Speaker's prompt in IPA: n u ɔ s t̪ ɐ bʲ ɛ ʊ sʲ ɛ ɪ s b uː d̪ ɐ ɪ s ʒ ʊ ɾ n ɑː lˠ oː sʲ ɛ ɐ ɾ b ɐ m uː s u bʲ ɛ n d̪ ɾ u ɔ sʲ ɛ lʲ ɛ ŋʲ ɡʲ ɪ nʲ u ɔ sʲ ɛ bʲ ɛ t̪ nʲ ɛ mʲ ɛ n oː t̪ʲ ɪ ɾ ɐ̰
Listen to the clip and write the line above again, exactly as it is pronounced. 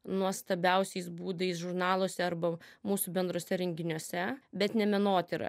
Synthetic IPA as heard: n u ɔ s t̪ ɐ bʲ ɛ ʊ sʲ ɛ ɪ s b uː d̪ ɐ ɪ s ʒ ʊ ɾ n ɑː lˠ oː sʲ ɛ ɐ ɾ b ɐ m uː s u bʲ ɛ n d̪ ɾ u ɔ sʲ ɛ ɾʲ ɛ ŋʲ ɡʲ ɪ nʲ u ɔ sʲ ɛ bʲ ɛ t̪ nʲ ɛ mʲ ɛ n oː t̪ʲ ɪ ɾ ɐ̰